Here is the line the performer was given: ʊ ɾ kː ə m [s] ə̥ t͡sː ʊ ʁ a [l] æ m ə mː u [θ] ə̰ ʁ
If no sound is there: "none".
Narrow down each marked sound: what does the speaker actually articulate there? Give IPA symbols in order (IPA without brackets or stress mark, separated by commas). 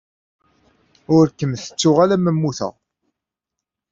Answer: θ, l, θ